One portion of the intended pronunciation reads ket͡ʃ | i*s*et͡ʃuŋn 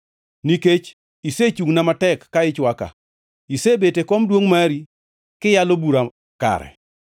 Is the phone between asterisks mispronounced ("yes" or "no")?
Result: no